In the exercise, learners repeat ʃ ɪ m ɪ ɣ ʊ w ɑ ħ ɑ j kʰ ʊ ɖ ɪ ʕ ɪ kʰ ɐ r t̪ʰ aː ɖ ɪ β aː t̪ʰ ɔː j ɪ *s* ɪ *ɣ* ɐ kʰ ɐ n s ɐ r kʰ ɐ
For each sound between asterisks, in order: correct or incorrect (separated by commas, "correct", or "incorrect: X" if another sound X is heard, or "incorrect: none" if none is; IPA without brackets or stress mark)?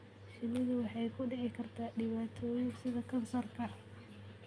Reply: correct, incorrect: ð